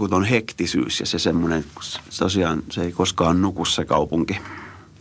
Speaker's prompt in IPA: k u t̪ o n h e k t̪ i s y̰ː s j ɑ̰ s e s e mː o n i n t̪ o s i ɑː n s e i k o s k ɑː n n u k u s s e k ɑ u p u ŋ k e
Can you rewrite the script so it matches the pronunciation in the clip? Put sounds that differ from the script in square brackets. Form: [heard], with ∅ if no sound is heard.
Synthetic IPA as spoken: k u t̪ o n h e k t̪ i s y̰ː s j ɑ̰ s e s e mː o n [e] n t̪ o s i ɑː n s e i k o s k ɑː n n u k u s s e k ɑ u p u ŋ k [i]